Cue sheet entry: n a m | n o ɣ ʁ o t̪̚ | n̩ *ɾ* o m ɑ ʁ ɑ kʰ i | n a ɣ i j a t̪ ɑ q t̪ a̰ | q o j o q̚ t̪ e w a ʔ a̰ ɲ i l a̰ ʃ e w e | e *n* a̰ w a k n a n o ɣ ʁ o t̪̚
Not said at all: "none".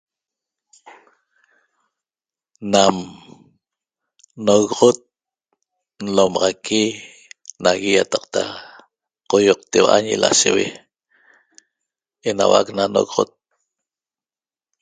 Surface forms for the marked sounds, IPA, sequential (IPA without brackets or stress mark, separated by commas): l, n